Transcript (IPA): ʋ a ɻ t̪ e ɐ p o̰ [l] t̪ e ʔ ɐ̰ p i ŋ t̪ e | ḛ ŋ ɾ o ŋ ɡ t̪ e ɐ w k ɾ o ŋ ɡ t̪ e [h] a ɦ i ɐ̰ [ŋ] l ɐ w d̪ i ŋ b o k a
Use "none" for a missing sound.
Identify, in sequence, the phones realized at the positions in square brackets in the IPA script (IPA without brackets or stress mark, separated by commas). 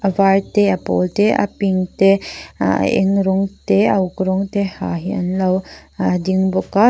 l, h, n